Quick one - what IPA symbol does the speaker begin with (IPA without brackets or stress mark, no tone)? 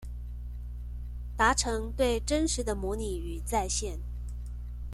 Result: t̪